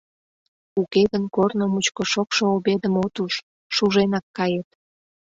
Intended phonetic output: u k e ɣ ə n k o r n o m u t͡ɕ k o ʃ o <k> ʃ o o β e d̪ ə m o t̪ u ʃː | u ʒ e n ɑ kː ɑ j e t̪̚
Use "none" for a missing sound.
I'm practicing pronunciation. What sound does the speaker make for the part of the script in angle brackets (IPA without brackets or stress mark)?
k